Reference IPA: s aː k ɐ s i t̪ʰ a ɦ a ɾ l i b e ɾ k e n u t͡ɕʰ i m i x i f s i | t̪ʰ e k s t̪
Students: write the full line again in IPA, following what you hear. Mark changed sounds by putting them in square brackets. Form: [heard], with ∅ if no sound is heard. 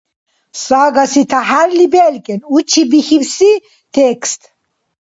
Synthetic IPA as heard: s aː [ɡ] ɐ s i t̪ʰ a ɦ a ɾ l i b e [l] k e n u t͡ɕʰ i [b] i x i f s i | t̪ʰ e k s t̪